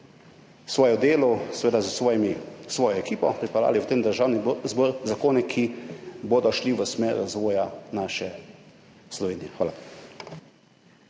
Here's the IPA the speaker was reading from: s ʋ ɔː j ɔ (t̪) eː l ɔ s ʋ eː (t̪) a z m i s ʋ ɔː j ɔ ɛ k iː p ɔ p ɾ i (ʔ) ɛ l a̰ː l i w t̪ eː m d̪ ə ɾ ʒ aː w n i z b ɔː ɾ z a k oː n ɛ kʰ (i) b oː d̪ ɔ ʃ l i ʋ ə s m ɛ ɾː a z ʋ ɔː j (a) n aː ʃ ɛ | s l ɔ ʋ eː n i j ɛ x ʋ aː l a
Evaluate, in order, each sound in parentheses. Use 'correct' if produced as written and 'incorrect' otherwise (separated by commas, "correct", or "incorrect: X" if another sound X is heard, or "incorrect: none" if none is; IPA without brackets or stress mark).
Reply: incorrect: d̪, incorrect: d̪, incorrect: p, correct, correct